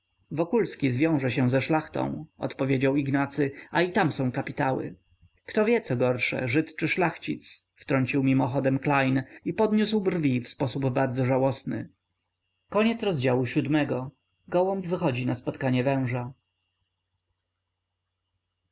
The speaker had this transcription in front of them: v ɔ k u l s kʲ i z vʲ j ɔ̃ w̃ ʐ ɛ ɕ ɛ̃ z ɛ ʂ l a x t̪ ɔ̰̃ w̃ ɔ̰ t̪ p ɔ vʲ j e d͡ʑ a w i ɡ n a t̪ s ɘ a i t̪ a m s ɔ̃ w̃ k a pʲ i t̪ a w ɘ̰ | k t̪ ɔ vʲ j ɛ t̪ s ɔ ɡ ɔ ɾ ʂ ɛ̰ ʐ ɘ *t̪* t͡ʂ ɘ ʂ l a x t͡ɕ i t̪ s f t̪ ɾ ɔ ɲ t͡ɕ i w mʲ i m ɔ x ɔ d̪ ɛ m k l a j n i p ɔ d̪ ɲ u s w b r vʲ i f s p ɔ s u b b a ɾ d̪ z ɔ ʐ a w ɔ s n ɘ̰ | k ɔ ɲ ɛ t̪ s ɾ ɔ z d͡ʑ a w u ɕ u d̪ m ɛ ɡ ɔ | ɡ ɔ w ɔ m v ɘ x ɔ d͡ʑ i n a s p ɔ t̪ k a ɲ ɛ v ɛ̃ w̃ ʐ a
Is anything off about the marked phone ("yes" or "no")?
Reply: no